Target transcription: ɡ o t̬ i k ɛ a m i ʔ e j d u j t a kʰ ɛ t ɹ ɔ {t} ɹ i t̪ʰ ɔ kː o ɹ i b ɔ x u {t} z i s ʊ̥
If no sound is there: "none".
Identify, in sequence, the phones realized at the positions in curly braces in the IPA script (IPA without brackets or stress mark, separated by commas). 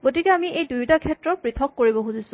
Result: p, none